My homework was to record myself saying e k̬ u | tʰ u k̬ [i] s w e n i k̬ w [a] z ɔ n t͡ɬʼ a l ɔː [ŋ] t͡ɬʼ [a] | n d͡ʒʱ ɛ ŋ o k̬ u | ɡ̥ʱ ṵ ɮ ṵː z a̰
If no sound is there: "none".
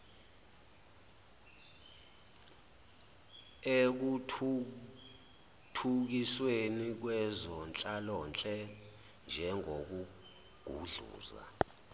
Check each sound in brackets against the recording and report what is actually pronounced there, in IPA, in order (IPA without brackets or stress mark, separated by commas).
i, ɛ, n, ɛ